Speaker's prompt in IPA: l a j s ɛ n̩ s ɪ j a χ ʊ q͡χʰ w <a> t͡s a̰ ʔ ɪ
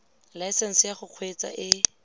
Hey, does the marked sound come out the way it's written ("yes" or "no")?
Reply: no